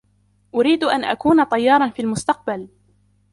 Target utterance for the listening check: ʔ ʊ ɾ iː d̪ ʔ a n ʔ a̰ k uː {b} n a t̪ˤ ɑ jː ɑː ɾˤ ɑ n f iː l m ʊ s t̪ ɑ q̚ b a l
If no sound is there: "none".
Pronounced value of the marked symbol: none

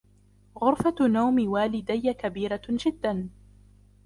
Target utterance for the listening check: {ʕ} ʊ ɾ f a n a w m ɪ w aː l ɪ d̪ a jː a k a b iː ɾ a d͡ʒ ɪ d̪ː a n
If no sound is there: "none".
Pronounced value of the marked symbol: ɣ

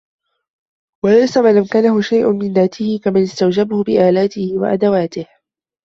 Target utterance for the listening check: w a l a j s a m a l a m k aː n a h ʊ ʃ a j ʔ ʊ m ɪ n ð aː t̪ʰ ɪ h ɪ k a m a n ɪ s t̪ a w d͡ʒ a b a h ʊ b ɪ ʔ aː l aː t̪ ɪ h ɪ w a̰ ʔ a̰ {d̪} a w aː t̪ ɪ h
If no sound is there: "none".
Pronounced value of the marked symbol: d̪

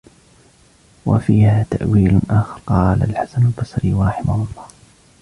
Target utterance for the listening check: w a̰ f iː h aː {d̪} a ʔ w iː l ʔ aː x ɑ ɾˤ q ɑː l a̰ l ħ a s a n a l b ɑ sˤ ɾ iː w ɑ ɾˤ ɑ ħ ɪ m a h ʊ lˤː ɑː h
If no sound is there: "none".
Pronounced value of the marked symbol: t̪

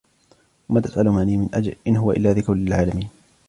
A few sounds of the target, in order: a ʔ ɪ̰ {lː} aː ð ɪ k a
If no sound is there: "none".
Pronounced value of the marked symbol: lː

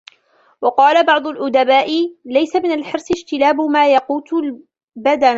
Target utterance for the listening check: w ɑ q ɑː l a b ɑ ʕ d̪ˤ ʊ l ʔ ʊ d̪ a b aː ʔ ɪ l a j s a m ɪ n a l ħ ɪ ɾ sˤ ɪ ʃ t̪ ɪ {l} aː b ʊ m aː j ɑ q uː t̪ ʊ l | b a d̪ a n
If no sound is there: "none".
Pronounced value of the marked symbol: l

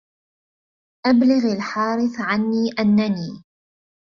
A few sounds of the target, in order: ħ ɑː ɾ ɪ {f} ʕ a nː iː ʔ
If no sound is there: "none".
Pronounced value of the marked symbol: θ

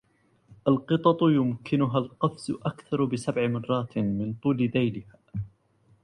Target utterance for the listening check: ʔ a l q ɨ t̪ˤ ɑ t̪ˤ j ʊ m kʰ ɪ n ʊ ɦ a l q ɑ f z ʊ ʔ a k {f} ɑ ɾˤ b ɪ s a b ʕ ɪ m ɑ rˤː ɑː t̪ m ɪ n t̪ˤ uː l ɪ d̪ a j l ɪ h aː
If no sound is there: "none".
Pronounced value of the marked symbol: θ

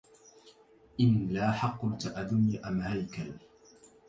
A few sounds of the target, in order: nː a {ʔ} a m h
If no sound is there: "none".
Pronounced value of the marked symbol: ʔ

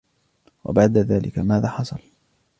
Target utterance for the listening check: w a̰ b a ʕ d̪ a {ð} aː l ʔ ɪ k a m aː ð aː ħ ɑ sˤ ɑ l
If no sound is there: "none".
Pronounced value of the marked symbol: ð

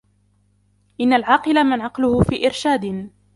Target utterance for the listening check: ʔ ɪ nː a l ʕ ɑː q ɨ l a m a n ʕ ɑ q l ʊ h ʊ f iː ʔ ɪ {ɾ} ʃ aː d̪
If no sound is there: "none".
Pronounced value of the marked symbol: ɾ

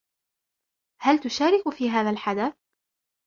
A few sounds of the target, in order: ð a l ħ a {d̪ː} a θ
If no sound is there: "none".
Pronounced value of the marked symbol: d̪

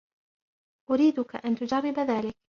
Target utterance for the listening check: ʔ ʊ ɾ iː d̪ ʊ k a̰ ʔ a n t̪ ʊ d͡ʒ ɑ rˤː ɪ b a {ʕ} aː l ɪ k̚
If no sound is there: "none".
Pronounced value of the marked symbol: ð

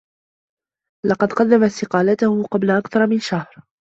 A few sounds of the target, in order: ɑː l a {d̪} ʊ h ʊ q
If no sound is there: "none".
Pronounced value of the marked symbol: t̪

